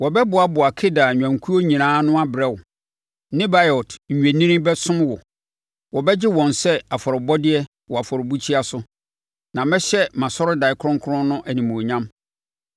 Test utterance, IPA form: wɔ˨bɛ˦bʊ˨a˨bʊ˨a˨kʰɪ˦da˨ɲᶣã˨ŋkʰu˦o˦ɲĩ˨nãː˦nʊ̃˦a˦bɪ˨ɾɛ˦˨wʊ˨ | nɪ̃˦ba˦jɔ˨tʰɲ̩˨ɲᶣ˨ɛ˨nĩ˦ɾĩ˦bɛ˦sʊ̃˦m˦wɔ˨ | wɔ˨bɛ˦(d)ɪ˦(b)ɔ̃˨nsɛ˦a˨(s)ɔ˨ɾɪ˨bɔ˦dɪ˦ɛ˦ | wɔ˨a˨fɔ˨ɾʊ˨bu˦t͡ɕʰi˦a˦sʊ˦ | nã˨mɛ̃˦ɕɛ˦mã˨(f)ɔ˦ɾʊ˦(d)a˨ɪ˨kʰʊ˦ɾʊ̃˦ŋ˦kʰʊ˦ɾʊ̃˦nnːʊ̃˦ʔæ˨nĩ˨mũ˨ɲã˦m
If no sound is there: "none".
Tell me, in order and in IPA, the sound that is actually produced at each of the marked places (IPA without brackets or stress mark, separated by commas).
d͡ʑ, w, f, s, d